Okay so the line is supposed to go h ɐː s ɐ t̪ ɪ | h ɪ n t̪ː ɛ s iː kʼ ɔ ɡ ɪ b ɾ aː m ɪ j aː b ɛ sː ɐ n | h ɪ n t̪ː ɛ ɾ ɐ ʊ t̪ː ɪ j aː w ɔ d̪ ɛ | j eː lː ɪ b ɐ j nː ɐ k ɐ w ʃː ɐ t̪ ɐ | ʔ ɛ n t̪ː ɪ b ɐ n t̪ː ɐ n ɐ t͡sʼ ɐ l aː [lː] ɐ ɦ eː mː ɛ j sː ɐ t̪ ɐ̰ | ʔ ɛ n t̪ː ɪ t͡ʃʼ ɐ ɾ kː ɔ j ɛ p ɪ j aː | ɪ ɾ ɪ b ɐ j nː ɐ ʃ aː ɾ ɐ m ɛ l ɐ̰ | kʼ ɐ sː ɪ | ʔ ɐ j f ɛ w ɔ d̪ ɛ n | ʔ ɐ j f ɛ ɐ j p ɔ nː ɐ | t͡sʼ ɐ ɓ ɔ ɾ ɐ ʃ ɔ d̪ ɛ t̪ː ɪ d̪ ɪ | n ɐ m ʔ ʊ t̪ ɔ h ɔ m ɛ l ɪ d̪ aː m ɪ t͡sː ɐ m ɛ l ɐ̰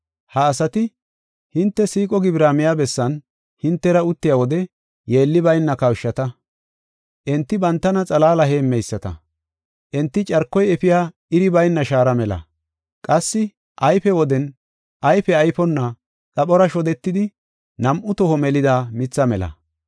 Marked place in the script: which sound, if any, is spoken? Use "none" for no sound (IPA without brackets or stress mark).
l